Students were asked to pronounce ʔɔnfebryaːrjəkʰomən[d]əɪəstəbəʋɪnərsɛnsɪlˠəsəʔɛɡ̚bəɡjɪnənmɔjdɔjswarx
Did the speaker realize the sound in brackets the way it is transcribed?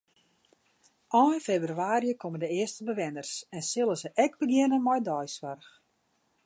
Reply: yes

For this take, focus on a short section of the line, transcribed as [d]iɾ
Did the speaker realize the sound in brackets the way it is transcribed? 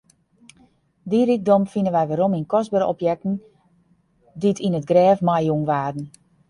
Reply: yes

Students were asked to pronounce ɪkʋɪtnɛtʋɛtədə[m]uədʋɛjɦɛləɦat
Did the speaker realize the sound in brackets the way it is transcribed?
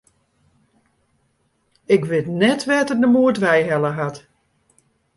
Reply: yes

